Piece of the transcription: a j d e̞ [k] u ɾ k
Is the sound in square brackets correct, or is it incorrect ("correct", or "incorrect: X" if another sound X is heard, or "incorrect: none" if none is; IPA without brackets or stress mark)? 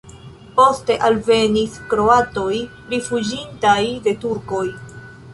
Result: incorrect: t